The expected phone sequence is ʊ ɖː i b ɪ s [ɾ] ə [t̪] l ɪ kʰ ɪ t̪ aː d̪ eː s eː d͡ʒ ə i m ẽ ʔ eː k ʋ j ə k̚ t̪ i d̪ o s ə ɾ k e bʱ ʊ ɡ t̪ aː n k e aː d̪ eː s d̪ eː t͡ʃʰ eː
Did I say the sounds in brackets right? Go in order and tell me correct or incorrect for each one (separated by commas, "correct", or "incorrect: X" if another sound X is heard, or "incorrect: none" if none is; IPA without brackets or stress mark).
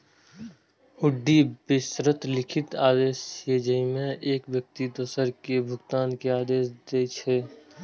correct, correct